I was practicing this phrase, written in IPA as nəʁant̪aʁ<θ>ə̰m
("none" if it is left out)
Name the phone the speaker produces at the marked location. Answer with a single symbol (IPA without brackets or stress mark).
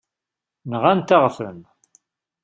f